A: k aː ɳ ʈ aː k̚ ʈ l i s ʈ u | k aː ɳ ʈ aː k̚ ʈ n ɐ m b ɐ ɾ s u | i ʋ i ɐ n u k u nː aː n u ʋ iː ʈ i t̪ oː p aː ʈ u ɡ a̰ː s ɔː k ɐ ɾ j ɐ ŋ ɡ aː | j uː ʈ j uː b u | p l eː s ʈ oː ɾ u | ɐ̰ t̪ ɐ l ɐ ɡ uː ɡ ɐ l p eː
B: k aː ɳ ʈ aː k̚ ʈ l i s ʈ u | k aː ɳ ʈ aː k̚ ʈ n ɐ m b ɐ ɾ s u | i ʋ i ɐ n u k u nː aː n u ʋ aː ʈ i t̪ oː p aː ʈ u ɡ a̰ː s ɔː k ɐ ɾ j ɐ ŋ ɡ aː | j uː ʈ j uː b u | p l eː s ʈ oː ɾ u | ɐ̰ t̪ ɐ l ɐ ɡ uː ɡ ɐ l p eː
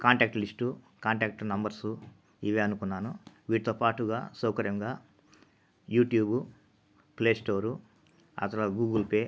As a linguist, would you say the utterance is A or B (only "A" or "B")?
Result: A